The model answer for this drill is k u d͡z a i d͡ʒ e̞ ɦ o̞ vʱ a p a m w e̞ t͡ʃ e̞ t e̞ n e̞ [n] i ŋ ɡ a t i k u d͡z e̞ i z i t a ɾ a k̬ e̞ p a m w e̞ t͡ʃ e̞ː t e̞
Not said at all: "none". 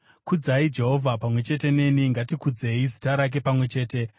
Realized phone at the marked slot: n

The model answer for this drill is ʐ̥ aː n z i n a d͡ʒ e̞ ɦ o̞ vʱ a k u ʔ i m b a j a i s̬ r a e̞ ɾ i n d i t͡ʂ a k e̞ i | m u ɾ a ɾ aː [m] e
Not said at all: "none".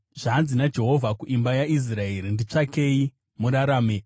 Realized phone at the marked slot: m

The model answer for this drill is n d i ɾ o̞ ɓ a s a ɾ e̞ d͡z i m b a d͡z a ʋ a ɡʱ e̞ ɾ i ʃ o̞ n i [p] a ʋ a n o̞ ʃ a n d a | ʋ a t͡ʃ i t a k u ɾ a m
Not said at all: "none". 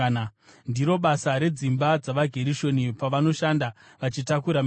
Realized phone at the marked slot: p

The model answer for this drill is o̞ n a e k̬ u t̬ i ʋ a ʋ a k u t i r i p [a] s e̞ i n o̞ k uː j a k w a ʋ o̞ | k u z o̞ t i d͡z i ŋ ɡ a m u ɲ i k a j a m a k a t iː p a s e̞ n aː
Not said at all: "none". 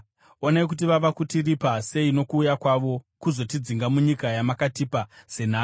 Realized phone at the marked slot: a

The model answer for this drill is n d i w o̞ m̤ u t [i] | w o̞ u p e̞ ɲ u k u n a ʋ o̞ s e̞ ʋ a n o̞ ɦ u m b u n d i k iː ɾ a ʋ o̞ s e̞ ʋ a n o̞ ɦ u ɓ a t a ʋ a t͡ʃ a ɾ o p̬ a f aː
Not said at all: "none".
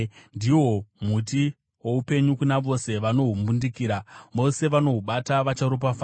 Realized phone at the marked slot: i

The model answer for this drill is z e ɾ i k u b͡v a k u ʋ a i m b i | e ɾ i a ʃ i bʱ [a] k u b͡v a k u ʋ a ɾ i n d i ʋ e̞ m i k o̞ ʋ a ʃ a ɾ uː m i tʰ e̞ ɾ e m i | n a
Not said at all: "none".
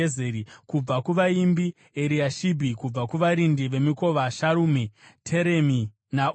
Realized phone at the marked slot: i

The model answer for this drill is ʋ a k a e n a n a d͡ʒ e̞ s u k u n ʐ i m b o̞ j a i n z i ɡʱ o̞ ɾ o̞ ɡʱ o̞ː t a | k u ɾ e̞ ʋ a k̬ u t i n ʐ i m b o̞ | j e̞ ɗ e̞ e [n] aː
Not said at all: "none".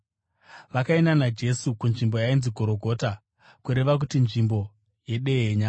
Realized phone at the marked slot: ɲ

